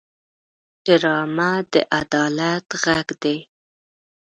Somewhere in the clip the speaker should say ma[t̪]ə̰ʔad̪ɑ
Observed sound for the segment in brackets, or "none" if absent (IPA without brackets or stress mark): d̪